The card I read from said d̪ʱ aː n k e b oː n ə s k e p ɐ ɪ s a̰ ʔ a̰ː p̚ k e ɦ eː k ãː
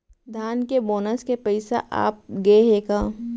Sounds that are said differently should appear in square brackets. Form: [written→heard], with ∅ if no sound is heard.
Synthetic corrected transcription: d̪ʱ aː n k e b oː n ə s k e p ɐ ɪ s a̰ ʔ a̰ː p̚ [k→ɡ] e ɦ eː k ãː